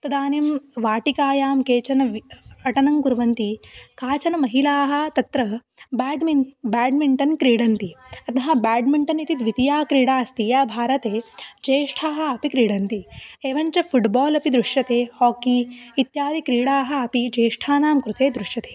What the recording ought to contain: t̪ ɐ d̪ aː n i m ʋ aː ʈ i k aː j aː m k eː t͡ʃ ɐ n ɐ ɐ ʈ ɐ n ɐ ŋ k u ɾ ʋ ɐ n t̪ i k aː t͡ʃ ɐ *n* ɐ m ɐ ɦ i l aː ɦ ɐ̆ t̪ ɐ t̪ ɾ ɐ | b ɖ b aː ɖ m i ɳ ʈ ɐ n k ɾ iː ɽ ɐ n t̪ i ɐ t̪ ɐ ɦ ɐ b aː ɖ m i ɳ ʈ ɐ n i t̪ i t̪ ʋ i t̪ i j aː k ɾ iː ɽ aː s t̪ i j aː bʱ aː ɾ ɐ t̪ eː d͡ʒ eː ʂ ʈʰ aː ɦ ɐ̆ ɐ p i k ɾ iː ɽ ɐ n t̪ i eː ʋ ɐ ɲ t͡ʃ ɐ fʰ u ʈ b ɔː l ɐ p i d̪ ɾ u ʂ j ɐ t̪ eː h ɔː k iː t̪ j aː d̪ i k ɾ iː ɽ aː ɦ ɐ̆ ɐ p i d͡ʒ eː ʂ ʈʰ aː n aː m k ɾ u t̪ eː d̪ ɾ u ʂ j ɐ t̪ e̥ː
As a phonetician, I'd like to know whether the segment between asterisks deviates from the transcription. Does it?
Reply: no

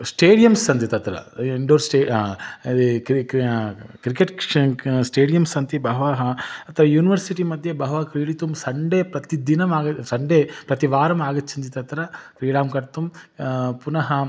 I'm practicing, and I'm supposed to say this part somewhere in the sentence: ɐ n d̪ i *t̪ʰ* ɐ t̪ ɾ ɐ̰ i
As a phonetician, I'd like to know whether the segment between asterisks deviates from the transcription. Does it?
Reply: yes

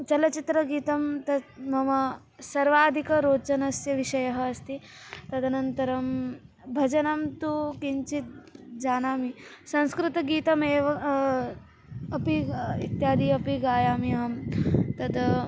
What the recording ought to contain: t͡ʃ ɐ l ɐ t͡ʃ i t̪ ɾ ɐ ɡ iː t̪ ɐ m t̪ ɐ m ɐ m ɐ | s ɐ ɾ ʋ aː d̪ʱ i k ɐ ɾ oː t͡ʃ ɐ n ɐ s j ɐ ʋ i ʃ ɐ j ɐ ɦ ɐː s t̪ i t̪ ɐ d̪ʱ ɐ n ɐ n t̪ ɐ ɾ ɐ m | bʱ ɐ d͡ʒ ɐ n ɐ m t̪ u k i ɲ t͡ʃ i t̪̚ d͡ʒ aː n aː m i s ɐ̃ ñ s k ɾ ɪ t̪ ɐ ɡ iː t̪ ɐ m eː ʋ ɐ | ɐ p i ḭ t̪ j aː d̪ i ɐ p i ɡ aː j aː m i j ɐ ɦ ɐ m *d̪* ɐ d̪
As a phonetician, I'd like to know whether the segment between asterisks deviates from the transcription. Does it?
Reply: yes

